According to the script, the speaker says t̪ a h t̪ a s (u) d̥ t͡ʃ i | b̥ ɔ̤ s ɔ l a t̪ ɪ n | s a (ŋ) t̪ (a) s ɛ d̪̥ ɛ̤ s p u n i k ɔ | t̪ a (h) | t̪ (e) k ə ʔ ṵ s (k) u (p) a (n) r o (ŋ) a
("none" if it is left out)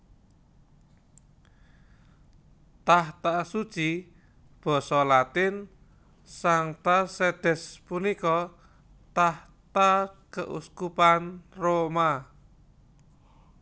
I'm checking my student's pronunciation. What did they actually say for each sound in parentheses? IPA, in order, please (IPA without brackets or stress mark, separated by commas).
u, ŋ, a, h, a, k, p, n, m